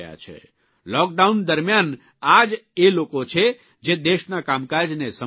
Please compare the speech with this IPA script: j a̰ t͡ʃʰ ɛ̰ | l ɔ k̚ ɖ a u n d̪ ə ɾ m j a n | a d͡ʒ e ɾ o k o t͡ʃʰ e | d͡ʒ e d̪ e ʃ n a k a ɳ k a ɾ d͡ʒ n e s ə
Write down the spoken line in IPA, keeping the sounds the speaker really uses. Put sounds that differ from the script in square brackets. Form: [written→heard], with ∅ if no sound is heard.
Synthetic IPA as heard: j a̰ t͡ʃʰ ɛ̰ | l ɔ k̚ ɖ a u n d̪ ə ɾ m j a n | a d͡ʒ e [ɾ→l] o k o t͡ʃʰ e | d͡ʒ e d̪ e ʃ n a k a [ɳ→m] k a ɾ d͡ʒ n e s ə